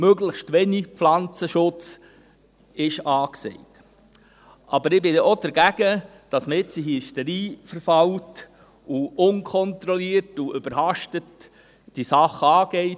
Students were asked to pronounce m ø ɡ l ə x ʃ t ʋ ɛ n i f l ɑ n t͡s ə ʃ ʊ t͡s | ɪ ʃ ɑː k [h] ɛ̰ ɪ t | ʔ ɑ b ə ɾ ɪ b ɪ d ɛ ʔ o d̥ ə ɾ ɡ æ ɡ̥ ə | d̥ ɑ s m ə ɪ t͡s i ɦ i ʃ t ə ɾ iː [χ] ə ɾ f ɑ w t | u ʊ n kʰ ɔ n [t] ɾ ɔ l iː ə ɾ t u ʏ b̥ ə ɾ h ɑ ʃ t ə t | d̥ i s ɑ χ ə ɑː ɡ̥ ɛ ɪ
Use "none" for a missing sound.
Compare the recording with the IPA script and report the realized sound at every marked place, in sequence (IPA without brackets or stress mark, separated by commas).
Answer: s, f, t